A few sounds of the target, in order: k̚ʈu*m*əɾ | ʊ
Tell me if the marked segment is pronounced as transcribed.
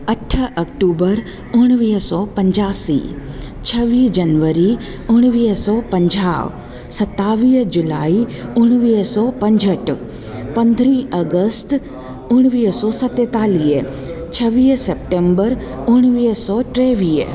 no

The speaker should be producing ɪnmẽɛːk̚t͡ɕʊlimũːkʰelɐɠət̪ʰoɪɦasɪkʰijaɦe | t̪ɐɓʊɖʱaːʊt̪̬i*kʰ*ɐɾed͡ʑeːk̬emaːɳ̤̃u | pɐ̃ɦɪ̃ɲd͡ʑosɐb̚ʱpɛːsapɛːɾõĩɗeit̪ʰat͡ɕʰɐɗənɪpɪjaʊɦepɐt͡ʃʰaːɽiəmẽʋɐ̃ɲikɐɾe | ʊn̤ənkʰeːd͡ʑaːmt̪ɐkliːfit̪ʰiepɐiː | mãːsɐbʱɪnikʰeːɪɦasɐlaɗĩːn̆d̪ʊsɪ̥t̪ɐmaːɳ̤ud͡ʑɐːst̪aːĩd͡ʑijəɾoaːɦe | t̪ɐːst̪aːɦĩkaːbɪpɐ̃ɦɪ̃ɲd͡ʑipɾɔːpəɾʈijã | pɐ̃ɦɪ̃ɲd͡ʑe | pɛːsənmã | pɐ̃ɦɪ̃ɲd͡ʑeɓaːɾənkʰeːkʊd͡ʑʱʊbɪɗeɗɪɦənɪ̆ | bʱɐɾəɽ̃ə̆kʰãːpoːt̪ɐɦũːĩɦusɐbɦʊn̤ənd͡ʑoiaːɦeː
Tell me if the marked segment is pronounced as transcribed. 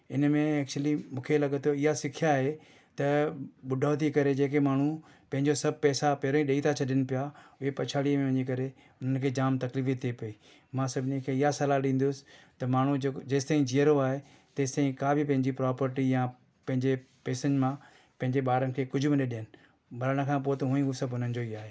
no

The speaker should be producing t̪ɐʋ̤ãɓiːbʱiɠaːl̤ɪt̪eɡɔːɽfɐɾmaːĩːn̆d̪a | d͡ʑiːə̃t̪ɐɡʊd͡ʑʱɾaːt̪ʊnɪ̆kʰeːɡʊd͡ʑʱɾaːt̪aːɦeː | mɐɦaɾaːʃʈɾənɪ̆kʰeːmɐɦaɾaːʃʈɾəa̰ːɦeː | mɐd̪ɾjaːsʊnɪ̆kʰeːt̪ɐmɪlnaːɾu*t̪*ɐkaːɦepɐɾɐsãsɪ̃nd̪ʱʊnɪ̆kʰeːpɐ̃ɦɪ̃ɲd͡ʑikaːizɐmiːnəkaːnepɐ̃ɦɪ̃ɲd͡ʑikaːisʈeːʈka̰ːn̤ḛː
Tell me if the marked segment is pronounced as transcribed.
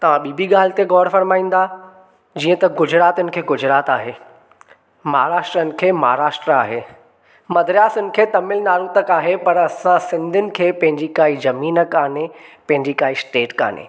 yes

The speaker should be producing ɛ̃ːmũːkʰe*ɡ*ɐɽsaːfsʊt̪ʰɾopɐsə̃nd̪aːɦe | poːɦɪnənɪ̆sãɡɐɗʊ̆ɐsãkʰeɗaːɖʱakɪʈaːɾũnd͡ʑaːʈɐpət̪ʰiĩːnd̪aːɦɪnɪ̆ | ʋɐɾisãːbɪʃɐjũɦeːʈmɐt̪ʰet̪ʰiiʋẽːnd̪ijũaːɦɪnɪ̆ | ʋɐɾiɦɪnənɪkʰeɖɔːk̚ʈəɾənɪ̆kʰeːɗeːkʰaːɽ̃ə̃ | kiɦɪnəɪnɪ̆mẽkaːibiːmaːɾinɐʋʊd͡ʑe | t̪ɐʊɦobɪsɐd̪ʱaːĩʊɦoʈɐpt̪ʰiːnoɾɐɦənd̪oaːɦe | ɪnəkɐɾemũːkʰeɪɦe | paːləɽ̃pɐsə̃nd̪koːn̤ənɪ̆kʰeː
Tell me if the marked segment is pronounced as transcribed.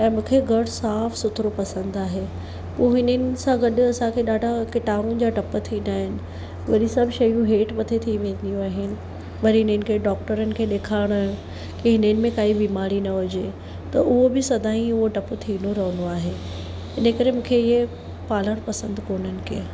yes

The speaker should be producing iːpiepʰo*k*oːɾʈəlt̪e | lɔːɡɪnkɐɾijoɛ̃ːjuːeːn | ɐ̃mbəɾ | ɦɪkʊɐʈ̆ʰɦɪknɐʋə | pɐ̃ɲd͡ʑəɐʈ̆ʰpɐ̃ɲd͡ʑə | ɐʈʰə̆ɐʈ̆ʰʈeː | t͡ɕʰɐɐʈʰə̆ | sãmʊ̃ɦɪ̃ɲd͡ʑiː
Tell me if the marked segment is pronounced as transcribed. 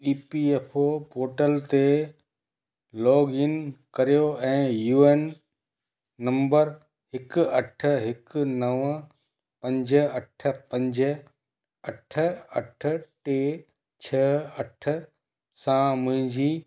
no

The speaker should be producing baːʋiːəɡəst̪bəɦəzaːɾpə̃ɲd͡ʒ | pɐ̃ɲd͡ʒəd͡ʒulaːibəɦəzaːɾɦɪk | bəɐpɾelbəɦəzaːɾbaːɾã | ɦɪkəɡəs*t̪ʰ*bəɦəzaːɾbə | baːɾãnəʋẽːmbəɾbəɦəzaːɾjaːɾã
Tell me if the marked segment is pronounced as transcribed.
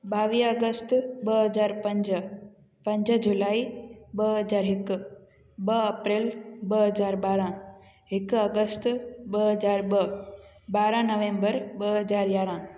no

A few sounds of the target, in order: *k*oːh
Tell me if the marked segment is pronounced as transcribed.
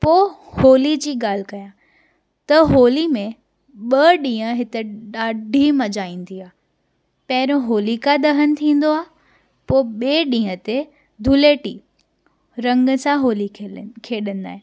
no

